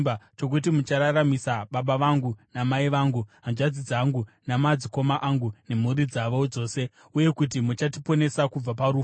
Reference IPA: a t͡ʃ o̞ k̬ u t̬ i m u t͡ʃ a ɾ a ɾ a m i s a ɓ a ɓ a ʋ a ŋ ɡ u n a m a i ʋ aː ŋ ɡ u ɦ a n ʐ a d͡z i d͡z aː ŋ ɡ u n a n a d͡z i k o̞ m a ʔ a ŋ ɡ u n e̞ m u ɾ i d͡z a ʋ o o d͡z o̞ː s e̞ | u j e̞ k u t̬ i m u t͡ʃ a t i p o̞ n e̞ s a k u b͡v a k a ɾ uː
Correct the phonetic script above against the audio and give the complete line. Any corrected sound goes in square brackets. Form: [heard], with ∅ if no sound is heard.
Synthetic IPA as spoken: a t͡ʃ o̞ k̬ u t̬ i m u t͡ʃ a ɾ a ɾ a m i s a ɓ a ɓ a ʋ a ŋ ɡ u n a m a i ʋ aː ŋ ɡ u ɦ a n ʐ a d͡z i d͡z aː ŋ ɡ u n a [m] a d͡z i k o̞ m a ʔ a ŋ ɡ u n e̞ m u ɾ i d͡z a ʋ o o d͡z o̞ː s e̞ | u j e̞ k u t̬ i m u t͡ʃ a t i p o̞ n e̞ s a k u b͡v a [p] a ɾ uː